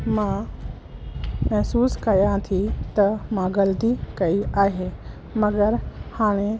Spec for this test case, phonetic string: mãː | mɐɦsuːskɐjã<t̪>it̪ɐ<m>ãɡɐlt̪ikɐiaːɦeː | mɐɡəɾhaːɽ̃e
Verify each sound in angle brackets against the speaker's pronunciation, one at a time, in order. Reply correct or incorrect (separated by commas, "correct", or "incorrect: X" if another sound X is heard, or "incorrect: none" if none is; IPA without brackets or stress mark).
incorrect: t̪ʰ, correct